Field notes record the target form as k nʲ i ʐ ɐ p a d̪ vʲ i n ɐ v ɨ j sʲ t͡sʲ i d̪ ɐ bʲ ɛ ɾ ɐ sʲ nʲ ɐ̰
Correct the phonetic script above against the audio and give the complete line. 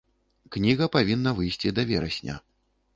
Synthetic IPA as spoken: k nʲ i ɣ ɐ p a vʲ i nː ɐ v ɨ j sʲ t͡sʲ i d̪ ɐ vʲ ɛ ɾ ɐ sʲ nʲ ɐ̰